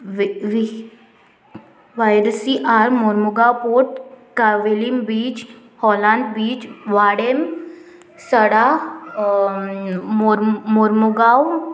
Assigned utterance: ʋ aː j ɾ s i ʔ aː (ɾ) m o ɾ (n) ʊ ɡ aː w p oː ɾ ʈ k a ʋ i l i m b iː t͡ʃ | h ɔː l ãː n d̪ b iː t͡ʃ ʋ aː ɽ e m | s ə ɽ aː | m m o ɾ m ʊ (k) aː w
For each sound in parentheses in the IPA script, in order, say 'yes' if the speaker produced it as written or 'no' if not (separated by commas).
yes, no, no